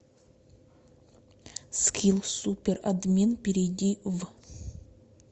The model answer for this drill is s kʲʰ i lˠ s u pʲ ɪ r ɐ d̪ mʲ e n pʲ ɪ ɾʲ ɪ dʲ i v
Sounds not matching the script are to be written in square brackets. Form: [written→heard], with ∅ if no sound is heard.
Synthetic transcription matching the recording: s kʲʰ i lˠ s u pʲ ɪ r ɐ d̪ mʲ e n pʲ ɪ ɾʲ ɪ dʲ i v